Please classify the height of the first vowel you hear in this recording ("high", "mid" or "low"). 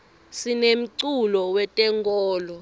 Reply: high